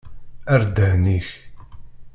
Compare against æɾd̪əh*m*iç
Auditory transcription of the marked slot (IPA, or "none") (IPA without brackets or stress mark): n